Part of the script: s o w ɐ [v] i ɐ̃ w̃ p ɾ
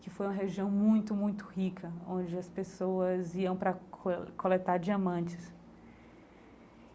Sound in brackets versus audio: incorrect: z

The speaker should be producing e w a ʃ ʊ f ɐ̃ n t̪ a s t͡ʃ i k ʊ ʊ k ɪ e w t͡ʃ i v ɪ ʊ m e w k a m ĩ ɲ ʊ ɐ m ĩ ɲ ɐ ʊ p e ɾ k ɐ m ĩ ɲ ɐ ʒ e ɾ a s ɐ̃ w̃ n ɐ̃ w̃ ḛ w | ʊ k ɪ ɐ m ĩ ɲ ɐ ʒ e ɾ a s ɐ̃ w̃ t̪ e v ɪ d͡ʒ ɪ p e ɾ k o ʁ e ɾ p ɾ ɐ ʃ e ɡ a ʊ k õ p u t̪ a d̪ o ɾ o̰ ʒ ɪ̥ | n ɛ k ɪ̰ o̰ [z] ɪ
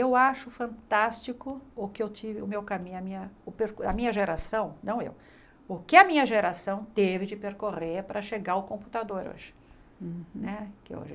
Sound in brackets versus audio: incorrect: ʒ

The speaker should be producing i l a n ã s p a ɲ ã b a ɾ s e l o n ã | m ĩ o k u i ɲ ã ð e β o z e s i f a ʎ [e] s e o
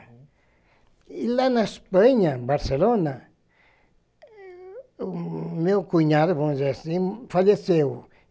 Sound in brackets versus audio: correct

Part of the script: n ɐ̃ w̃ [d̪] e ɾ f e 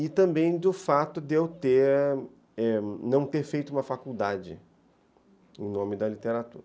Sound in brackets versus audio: incorrect: t̪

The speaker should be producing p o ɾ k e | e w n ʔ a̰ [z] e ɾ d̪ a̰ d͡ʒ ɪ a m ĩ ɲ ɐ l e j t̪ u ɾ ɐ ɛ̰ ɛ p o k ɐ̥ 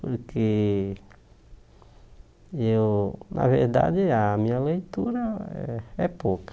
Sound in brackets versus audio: incorrect: v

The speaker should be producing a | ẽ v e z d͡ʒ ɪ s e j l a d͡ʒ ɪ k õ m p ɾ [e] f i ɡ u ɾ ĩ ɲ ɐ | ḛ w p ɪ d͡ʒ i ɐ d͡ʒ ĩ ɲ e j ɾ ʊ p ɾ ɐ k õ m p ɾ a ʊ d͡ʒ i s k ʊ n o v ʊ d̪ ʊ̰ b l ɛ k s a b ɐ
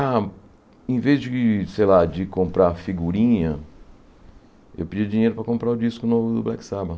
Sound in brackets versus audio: incorrect: a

